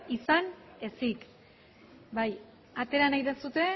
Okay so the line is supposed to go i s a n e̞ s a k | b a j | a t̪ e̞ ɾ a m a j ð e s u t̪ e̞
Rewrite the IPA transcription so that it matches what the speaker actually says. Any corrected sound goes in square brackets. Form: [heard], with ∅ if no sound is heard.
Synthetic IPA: i s a n e̞ s [i] k | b a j | a t̪ e̞ ɾ a [n] a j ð e s u t̪ e̞